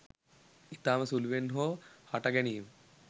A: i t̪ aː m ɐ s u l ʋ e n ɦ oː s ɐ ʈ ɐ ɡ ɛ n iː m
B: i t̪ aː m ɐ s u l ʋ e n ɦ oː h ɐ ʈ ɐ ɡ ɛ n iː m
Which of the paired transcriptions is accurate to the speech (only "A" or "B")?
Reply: B